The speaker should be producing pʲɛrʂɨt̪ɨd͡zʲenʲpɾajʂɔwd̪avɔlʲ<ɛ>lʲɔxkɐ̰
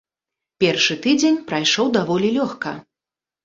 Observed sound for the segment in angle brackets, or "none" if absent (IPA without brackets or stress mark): i